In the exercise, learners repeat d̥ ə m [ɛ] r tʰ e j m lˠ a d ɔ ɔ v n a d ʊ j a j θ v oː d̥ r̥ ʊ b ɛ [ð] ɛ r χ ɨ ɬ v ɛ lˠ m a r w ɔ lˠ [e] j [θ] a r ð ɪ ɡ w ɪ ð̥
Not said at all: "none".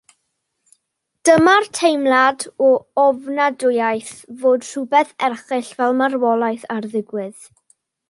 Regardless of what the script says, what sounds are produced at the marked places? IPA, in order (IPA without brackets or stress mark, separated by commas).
a, θ, a, θ